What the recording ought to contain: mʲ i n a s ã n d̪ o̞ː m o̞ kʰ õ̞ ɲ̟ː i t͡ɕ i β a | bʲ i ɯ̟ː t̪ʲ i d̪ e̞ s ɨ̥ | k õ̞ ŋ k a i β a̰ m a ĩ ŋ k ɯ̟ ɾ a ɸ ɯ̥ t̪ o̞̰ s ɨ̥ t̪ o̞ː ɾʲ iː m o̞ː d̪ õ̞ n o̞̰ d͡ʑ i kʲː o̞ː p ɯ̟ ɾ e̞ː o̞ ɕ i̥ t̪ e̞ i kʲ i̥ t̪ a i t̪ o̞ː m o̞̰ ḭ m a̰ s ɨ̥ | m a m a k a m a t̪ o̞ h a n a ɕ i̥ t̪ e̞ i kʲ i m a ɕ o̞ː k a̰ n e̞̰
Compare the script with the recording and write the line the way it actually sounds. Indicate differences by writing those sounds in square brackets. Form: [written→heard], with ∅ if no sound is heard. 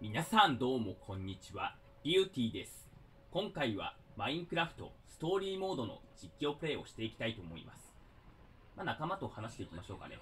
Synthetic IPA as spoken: mʲ i n a s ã n d̪ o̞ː m o̞ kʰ õ̞ ɲ̟ː i t͡ɕ i β a | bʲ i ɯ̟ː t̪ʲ [i→iː] d̪ e̞ s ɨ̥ | k õ̞ ŋ k a i β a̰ m a ĩ ŋ k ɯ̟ ɾ a ɸ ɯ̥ t̪ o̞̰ s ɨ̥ t̪ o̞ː ɾʲ iː m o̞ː d̪ [õ̞→o̞] n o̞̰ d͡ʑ i kʲː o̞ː p ɯ̟ ɾ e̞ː o̞ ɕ i̥ t̪ e̞ i kʲ i̥ t̪ a i t̪ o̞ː m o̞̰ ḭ m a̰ s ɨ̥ | m a [m→n] a k a m a t̪ o̞ h a n a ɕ i̥ t̪ e̞ i kʲ i m a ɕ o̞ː k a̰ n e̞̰